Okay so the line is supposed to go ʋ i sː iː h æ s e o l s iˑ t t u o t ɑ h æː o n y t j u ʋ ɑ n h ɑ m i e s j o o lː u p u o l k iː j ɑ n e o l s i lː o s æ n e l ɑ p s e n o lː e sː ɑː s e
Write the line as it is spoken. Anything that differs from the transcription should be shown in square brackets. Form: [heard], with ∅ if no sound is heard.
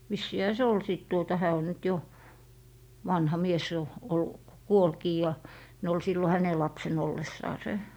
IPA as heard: ʋ i sː iː h æ s e o l s iˑ t t u o t ɑ h æː o n y t j [o] ʋ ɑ n h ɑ m i e s j o o lː u [k] u o l k iː j ɑ n e o l s i lː o [h] æ n e l ɑ p s e n o lː e sː ɑː s e

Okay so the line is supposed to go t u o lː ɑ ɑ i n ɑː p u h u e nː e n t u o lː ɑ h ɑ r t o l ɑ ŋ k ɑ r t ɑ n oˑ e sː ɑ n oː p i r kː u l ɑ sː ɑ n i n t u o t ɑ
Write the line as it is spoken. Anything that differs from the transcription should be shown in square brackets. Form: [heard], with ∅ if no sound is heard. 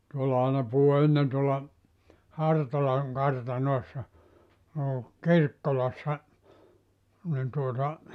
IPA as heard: t u o lː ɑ ɑ i n [ɑ] p u h u e nː e n t u o lː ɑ h ɑ r t o l ɑ ŋ k ɑ r t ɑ n oˑ e sː ɑ n oː [k] i r kː [o] l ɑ sː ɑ n i n t u o t ɑ

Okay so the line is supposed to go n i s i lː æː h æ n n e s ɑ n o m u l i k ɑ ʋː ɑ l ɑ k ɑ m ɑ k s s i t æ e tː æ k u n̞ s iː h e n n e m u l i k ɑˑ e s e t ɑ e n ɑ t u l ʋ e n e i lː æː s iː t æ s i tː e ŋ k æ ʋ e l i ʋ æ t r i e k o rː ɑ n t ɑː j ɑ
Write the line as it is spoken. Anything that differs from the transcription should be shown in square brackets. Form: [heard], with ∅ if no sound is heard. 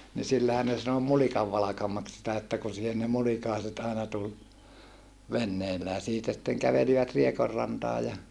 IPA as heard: n i s i lː [æ] h æ n n e s ɑ n o m u l i k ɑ ʋː ɑ l ɑ k ɑ m ɑ k s s i t æ e tː æ k u n̞ s iː h e n n e m u l i k ɑˑ e s e t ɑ e n ɑ t u l ʋ e [nː] e i lː æː s iː t æ s i tː e ŋ k æ ʋ e l i ʋ æ t r i e k o rː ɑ n t ɑː j ɑ

